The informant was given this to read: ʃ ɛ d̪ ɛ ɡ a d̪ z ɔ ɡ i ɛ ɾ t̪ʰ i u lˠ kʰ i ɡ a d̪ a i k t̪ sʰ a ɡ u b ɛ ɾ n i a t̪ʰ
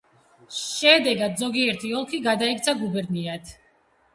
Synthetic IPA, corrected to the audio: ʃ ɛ d̪ ɛ ɡ a d̪ z ɔ ɡ i ɛ ɾ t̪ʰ i ɔ lˠ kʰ i ɡ a d̪ a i k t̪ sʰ a ɡ u b ɛ ɾ n i a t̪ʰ